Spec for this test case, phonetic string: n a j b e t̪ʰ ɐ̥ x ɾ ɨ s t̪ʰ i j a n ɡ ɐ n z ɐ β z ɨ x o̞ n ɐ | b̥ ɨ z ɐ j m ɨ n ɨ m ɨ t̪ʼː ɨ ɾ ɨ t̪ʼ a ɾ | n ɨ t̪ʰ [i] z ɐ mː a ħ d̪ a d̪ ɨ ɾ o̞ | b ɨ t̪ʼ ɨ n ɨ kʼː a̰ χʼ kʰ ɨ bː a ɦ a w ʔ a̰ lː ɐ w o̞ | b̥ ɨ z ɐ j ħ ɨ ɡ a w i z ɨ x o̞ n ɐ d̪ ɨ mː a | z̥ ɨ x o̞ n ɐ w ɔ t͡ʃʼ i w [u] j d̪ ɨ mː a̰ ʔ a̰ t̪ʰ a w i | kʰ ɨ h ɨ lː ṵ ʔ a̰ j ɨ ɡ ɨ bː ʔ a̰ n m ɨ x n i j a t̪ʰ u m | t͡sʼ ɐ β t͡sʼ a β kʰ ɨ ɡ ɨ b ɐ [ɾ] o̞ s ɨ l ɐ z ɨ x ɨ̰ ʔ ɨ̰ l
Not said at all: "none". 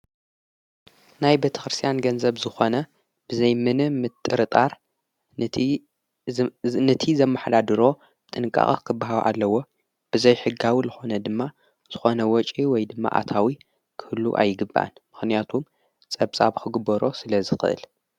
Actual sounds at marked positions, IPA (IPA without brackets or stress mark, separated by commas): i, ɔ, ɾ